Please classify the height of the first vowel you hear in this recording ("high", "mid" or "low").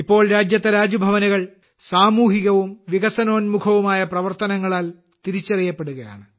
high